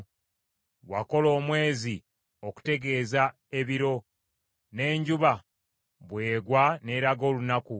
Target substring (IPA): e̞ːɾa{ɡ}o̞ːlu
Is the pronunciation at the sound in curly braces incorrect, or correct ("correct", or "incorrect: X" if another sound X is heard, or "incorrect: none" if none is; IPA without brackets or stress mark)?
correct